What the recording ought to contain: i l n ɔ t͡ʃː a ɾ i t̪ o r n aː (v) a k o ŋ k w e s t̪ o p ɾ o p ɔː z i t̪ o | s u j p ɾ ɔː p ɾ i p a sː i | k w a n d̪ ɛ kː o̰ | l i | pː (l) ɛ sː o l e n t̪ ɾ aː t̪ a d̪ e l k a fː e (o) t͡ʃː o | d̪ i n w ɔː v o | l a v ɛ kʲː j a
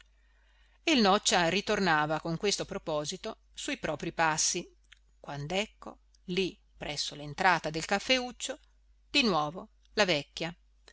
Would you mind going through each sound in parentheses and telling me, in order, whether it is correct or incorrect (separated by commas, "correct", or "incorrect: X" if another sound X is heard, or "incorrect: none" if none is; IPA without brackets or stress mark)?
correct, incorrect: ɾ, incorrect: u